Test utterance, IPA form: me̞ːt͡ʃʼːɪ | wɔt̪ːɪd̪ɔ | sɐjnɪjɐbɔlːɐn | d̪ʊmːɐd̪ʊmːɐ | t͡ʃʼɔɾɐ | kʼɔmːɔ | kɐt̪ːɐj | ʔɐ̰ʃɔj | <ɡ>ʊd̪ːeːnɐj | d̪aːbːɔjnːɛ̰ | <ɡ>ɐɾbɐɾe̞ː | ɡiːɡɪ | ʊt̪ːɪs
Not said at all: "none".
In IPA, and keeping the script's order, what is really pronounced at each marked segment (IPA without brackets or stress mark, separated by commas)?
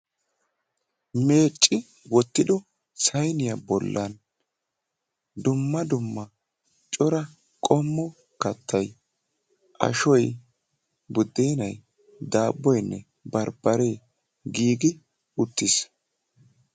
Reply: b, b